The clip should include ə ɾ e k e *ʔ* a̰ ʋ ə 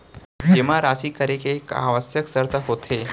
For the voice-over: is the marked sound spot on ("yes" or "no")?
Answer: no